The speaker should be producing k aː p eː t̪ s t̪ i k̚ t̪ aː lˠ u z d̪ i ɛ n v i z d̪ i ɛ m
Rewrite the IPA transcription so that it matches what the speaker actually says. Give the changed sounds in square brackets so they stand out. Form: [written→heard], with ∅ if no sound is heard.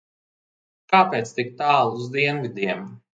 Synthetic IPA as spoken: k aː p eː t̪ s t̪ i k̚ t̪ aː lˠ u z d̪ i ɛ n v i [z→∅] d̪ i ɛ m